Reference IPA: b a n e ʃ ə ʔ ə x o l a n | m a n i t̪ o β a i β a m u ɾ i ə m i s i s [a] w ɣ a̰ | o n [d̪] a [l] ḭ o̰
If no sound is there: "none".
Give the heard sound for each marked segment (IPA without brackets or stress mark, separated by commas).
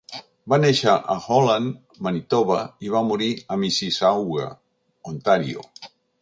a, t̪, ɾ